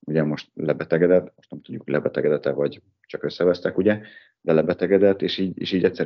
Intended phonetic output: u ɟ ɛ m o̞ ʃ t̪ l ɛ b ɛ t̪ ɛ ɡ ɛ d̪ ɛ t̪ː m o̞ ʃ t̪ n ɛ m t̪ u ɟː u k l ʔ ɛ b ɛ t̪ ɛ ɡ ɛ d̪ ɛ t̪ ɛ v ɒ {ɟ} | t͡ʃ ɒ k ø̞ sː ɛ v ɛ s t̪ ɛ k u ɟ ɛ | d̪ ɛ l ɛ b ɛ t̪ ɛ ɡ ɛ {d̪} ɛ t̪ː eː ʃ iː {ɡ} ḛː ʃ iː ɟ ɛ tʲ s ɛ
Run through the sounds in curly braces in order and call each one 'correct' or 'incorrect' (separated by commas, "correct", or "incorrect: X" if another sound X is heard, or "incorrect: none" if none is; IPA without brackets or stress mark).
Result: correct, correct, incorrect: ɟ